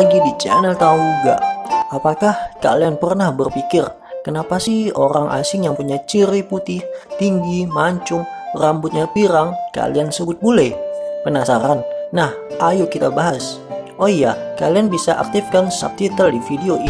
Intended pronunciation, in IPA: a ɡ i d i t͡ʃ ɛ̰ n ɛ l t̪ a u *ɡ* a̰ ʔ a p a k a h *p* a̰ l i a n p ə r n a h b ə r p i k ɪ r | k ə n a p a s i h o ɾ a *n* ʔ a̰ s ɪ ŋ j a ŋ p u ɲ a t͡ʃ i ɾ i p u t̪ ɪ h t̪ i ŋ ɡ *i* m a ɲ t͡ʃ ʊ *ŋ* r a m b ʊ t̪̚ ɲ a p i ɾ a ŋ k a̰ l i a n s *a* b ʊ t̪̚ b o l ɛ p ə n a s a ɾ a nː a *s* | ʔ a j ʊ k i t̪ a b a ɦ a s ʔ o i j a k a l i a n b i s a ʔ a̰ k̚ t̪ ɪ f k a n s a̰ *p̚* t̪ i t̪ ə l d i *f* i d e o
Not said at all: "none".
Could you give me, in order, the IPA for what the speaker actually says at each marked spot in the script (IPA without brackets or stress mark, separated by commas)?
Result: ɡ, k, ŋ, i, ŋ, ə, h, p̚, f